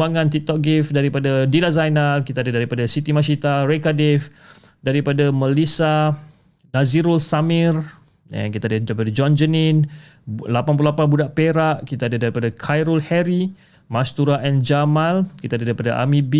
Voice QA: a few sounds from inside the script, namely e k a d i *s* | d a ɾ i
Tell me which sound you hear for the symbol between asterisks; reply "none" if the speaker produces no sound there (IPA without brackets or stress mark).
f